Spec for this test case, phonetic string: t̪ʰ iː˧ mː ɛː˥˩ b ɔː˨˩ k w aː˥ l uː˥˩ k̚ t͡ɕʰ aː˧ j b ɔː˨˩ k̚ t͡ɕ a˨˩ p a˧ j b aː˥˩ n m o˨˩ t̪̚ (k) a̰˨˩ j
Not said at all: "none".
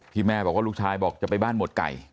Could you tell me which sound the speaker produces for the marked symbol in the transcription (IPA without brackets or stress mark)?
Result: k